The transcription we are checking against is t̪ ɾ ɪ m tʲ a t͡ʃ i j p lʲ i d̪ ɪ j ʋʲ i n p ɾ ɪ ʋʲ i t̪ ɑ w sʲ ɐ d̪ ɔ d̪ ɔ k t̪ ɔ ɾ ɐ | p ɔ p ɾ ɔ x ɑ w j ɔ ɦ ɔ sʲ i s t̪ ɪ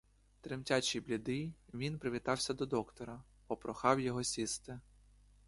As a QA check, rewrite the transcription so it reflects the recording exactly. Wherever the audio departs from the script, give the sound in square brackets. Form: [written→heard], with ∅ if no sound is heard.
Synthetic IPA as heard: t̪ ɾ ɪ m tʲ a t͡ʃ i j [p→b] lʲ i d̪ ɪ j ʋʲ i n p ɾ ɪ ʋʲ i t̪ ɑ w sʲ ɐ d̪ ɔ d̪ ɔ k t̪ ɔ ɾ ɐ | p ɔ p ɾ ɔ x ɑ w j ɔ ɦ ɔ sʲ i s t̪ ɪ